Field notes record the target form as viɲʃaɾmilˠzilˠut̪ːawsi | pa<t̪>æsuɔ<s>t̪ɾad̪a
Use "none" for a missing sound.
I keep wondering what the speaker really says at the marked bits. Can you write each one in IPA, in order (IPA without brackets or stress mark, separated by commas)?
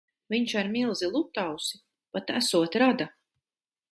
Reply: t̪, none